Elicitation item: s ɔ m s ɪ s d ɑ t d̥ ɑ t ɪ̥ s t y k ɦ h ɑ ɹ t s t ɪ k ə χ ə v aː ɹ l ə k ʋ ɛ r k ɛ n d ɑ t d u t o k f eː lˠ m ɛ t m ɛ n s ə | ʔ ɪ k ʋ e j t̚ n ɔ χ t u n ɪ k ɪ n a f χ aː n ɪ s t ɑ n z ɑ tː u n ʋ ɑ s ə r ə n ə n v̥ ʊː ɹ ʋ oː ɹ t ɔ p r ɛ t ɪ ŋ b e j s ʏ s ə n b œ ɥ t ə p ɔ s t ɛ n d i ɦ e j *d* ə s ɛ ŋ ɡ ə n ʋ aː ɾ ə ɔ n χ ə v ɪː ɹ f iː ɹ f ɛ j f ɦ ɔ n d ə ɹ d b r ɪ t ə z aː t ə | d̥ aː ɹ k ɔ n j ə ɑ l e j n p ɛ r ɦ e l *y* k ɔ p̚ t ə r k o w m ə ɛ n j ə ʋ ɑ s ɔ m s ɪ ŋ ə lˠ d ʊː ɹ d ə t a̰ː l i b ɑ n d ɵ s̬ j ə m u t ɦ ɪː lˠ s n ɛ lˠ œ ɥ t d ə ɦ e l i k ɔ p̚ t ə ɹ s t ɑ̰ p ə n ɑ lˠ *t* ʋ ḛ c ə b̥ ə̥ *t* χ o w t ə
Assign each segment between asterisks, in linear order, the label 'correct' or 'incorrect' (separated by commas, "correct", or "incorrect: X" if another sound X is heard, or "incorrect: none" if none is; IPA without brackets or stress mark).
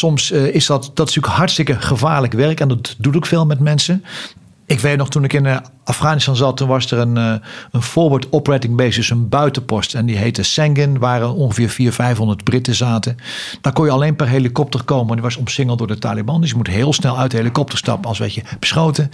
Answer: incorrect: t, incorrect: i, incorrect: s, incorrect: s